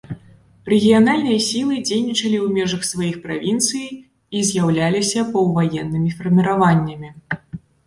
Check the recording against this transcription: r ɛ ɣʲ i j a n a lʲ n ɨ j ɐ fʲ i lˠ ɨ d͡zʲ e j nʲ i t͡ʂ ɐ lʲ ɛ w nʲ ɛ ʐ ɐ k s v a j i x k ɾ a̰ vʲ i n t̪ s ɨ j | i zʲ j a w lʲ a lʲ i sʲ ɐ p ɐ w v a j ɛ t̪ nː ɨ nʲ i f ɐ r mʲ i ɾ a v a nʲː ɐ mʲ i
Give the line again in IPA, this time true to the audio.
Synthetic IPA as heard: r ɛ ɣʲ i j a n a lʲ n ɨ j ɐ sʲ i lˠ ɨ d͡zʲ e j nʲ i t͡ʂ ɐ lʲ i w mʲ ɛ ʐ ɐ x s v a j i x p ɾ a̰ vʲ i n t̪ s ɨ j | i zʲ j a w lʲ a lʲ i sʲ ɐ p ɐ w v a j ɛ nː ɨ mʲ i f ɐ r mʲ i ɾ a v a nʲː ɐ mʲ i